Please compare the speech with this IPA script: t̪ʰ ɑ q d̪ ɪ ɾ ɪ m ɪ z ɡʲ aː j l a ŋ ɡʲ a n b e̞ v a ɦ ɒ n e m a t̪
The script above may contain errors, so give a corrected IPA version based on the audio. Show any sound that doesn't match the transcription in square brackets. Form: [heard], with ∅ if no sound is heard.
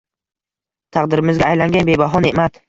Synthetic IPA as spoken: t̪ʰ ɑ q d̪ ɪ ɾ ɪ m ɪ z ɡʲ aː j l a ŋ ɡʲ a n b e̞ [b] a ɦ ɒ n e m a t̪